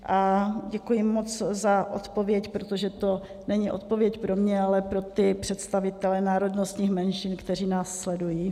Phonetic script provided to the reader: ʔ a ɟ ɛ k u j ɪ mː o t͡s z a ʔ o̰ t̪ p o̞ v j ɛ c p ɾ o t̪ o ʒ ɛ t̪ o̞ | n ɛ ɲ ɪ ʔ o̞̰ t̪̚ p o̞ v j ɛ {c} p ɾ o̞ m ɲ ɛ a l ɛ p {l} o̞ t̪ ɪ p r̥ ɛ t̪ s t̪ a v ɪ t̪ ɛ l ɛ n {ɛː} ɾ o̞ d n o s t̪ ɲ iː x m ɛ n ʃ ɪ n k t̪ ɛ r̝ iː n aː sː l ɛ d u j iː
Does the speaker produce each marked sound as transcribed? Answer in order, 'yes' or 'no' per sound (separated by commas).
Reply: yes, no, no